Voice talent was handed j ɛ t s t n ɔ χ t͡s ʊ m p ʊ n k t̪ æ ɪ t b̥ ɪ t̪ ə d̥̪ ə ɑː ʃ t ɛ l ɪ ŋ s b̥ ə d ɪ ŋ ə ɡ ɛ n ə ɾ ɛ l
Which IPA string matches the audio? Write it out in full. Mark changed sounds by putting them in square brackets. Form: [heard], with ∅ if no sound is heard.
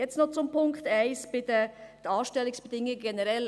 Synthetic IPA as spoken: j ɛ [t͡s] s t n ɔ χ t͡s ʊ m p ʊ [ŋ] k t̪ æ ɪ [s] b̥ ɪ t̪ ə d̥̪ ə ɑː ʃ t ɛ l ɪ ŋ s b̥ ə d ɪ ŋ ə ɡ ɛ n ə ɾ ɛ l